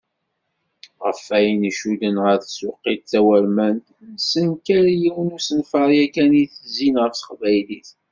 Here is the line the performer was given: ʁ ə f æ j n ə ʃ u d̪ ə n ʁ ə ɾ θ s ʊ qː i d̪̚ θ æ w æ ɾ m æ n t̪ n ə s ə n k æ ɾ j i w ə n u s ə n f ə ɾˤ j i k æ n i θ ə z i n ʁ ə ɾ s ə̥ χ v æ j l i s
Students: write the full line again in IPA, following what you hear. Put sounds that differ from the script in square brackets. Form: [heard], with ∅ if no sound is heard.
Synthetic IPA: ʁ ə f æ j n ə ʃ u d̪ ə n ʁ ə ɾ θ s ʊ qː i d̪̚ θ æ w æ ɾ m æ n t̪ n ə s ə n k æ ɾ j i w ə n u s ə n f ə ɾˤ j [æ] k æ n i θ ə z i n ʁ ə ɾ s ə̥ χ v æ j l i [θ]